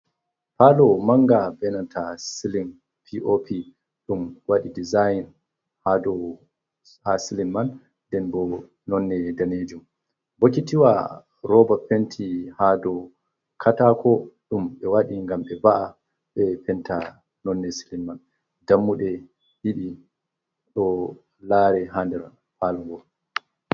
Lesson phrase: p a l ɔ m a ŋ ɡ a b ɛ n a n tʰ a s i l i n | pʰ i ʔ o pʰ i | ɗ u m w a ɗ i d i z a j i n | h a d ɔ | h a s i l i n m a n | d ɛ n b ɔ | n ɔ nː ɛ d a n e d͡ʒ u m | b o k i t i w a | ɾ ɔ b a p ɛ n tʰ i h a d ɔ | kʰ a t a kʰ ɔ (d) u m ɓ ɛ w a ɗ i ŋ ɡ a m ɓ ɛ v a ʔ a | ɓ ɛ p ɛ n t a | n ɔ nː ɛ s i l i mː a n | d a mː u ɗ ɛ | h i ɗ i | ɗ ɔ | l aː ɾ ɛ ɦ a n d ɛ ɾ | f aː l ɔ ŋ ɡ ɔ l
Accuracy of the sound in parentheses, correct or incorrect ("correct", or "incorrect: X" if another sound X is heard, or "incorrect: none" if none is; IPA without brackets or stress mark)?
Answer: incorrect: ɗ